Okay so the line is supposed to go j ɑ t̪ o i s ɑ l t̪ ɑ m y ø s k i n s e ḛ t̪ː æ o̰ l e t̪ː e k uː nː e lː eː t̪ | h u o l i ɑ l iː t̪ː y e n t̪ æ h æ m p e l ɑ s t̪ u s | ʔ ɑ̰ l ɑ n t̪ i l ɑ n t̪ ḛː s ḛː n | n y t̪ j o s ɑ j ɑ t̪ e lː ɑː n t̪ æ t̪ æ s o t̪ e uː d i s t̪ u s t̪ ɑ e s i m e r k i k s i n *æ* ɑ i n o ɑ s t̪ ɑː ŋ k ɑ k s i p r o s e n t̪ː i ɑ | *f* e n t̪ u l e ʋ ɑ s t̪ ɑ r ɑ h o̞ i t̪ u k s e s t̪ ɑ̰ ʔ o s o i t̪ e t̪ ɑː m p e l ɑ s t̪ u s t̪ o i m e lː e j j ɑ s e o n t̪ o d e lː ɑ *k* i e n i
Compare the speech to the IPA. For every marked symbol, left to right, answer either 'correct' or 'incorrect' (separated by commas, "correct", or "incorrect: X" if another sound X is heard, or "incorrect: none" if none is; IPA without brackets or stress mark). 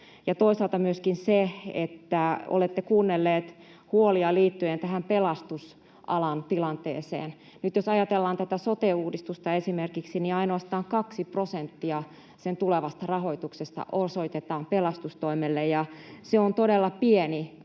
incorrect: i, incorrect: s, incorrect: p